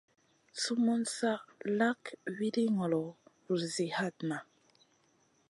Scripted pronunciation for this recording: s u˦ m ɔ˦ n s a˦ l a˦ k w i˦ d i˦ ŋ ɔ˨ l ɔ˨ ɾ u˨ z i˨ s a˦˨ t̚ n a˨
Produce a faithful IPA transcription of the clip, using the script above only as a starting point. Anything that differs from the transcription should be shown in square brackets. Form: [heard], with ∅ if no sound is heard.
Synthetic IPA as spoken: s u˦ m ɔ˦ n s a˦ l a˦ k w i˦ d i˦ ŋ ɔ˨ l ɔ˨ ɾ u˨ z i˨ [h] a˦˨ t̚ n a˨